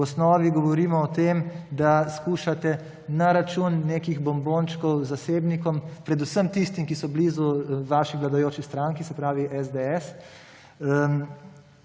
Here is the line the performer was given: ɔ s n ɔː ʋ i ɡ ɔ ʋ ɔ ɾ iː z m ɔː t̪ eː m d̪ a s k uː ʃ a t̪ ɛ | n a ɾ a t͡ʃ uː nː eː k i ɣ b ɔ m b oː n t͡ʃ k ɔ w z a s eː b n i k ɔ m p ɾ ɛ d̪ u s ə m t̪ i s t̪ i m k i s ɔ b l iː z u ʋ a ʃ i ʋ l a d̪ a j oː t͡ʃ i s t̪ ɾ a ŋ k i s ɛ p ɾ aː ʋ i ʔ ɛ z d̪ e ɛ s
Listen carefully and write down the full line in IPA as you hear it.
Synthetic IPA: ɔ s n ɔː ʋ i ɡ ɔ ʋ ɔ ɾ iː m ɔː t̪ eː m d̪ a s k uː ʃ a t̪ ɛ | n a ɾ a t͡ʃ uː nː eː k i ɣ b ɔ m b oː n t͡ʃ k ɔ w z a s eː b n i k ɔ m p ɾ ɛ d̪ u s ə m t̪ i s t̪ i m k i s ɔ b l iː z u ʋ a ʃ i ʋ l a d̪ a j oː t͡ʃ i s t̪ ɾ a ŋ k i s ɛ p ɾ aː ʋ i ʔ ɛ z d̪ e ɛ s